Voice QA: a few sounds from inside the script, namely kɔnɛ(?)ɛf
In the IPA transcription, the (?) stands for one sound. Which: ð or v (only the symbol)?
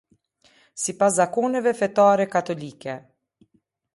v